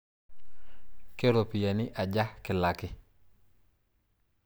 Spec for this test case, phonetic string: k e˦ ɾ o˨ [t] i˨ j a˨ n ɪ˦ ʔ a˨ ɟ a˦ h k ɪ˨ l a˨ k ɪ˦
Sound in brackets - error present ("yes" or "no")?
yes